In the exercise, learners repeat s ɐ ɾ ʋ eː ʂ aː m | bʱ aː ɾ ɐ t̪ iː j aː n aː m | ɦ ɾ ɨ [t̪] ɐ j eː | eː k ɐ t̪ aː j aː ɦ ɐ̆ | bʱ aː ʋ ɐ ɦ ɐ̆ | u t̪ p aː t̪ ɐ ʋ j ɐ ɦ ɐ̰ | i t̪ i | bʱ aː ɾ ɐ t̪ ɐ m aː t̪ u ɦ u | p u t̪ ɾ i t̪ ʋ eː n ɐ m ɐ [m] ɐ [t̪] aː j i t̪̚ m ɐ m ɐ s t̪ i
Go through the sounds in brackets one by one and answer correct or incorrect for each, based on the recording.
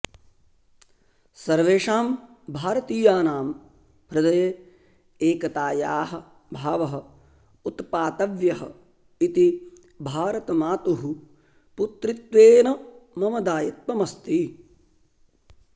incorrect: d̪, correct, incorrect: d̪

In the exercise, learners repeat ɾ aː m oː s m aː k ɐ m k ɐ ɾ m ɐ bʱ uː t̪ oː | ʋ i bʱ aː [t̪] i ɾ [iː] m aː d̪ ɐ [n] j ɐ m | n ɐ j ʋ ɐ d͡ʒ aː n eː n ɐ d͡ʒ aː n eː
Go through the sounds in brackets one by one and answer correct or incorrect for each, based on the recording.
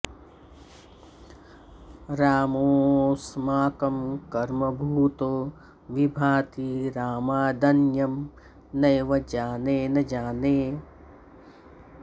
correct, incorrect: aː, correct

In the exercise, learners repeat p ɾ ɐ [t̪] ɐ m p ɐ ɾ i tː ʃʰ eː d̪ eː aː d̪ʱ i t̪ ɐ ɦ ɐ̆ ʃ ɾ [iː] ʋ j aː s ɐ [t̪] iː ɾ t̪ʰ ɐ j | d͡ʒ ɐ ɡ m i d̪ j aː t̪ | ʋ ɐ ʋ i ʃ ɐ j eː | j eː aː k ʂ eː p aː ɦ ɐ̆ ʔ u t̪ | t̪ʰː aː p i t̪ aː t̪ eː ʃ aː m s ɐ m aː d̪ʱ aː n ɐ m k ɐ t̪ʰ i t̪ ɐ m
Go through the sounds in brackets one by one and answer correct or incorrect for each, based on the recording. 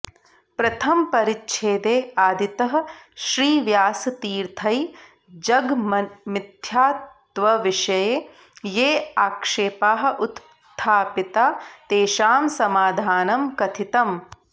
incorrect: t̪ʰ, correct, correct

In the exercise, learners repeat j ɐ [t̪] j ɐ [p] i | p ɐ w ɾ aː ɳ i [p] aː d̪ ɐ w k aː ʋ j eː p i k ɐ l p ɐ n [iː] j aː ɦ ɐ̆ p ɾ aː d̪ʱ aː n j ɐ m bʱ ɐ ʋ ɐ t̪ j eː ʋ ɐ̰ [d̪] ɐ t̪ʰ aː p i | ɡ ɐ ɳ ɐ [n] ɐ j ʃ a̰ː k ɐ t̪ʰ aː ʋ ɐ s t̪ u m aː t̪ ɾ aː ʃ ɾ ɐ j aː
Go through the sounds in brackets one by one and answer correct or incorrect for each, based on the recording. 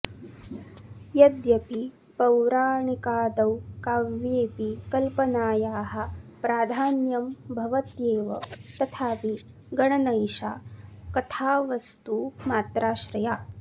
incorrect: d̪, correct, incorrect: k, incorrect: aː, incorrect: t̪, correct

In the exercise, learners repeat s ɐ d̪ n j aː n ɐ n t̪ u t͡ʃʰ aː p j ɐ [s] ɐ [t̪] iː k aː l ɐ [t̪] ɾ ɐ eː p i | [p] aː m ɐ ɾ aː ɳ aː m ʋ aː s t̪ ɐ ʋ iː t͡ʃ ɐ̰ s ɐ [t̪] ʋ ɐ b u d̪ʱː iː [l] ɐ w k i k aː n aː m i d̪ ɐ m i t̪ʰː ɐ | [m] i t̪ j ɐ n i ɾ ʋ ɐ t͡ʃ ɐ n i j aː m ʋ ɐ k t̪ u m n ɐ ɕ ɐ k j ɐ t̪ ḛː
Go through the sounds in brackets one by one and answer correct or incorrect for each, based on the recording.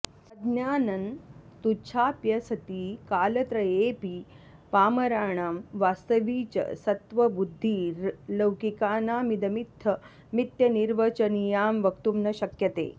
correct, correct, correct, correct, correct, correct, correct

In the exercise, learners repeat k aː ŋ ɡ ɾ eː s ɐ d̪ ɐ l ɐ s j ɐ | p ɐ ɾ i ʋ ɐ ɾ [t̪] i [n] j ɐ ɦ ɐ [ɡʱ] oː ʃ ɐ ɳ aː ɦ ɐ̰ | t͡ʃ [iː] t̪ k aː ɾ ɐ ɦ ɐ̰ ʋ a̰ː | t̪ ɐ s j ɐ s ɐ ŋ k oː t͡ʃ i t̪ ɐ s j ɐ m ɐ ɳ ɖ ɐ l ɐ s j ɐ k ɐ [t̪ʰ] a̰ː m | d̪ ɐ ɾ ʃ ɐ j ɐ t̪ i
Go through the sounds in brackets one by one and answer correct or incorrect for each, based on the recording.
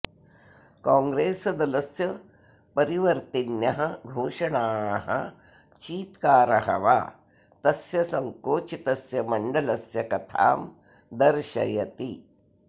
correct, correct, correct, correct, correct

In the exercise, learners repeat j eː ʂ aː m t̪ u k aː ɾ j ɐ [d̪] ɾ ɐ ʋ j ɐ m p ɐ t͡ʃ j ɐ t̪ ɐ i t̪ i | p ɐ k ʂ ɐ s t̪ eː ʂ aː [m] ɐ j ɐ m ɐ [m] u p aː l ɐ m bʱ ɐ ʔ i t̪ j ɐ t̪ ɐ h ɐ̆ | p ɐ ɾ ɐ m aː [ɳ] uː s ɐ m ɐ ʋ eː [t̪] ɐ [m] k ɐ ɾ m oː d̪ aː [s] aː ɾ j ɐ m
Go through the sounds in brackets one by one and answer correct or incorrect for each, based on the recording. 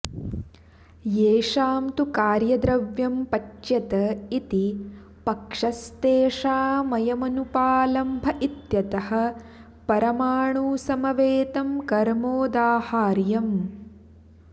correct, correct, incorrect: n, correct, correct, correct, incorrect: h

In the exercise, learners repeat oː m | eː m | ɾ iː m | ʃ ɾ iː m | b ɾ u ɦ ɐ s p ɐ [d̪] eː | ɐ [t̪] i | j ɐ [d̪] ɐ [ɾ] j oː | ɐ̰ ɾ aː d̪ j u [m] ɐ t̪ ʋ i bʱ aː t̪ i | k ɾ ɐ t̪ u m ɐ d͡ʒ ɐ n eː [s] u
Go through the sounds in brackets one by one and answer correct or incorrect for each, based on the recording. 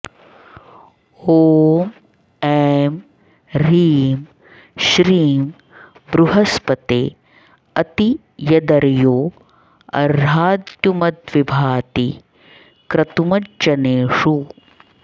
incorrect: t̪, correct, correct, correct, correct, incorrect: ʂ

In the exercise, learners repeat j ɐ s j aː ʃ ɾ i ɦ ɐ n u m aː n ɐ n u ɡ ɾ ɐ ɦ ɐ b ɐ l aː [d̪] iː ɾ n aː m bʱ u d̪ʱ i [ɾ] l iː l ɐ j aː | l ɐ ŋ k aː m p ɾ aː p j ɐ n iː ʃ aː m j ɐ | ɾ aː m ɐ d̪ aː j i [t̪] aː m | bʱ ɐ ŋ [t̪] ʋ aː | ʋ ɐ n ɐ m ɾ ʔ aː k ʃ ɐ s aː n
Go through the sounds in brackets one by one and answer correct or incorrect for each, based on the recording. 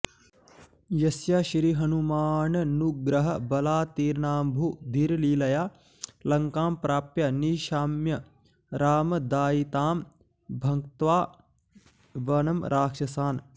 incorrect: t̪, correct, correct, correct

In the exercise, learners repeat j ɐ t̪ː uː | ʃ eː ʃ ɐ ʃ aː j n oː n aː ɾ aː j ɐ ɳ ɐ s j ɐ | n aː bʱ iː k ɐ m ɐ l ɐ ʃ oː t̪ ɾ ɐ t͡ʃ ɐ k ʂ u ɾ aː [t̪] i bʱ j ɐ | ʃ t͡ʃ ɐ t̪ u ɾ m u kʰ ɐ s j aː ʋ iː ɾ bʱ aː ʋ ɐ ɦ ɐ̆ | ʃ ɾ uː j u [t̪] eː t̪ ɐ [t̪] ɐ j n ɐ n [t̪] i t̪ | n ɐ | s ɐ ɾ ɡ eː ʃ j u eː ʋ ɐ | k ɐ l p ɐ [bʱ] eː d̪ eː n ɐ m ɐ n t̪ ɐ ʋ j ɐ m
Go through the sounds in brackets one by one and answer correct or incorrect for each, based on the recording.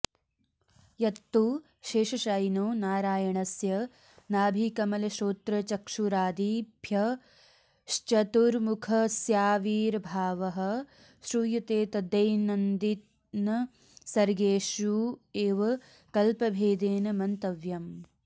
incorrect: d̪, correct, incorrect: d̪, incorrect: d̪, correct

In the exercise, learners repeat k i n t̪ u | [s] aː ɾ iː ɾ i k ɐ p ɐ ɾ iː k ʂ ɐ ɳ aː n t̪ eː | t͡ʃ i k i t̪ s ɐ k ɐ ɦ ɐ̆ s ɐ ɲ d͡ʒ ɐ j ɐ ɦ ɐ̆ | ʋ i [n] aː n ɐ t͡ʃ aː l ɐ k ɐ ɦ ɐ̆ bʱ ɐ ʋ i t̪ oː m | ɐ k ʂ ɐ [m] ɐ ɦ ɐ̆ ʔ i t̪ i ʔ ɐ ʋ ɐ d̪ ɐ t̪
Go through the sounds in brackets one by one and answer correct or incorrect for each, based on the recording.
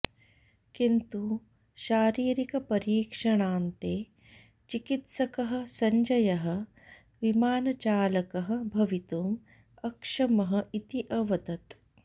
incorrect: ʃ, incorrect: m, correct

